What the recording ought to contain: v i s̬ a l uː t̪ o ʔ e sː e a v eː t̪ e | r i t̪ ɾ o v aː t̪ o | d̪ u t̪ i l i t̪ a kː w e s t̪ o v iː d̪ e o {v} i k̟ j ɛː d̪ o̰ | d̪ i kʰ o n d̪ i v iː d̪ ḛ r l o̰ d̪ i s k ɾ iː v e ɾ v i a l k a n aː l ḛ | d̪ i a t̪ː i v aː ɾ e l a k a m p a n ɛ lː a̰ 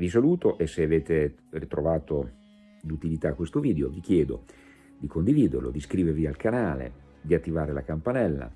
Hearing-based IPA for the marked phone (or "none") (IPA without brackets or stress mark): v